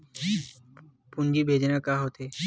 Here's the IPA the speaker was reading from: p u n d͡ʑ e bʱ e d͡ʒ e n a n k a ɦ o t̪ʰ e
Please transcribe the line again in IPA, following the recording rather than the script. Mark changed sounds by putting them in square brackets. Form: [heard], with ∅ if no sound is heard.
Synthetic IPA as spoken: p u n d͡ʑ [i] bʱ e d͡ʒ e n a [∅] k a ɦ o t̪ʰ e